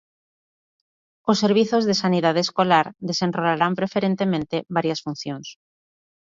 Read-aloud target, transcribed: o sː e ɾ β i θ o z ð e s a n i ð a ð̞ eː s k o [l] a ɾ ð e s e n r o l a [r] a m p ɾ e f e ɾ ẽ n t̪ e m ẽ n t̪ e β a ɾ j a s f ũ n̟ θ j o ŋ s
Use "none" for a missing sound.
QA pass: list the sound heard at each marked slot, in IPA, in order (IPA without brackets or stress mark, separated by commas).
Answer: l, ɾ